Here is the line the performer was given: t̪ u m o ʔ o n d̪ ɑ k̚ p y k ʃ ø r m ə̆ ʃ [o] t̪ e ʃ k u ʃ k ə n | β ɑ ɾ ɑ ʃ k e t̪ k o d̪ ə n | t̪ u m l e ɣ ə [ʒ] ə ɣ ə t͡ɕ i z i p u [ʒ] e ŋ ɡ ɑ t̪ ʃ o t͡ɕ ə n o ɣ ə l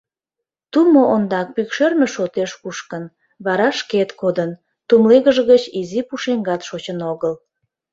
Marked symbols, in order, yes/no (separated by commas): yes, yes, no